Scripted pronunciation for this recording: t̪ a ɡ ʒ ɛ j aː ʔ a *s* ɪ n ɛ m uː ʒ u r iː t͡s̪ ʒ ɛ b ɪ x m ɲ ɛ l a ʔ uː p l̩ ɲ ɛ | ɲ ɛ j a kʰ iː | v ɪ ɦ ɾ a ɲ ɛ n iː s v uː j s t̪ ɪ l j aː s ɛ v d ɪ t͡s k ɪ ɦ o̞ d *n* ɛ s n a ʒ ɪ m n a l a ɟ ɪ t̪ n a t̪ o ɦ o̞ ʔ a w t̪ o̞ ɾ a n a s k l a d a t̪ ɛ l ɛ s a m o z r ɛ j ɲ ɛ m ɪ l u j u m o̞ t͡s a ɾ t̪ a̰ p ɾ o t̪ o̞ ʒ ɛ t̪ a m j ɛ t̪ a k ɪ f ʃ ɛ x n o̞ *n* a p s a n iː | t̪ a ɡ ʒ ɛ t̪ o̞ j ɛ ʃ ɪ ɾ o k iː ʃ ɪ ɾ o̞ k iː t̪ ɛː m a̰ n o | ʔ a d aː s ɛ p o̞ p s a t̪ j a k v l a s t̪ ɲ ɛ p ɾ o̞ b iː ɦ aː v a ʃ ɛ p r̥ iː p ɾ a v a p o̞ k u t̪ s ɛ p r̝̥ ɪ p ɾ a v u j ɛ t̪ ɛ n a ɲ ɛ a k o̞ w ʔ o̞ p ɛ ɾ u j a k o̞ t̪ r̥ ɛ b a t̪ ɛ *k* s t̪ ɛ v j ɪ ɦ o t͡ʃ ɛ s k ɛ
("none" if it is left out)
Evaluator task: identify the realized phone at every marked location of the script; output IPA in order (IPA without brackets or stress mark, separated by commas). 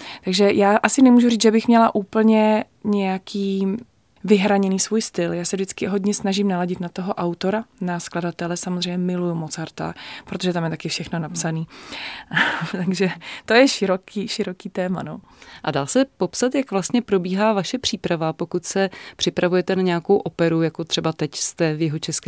s, ɲ, n, c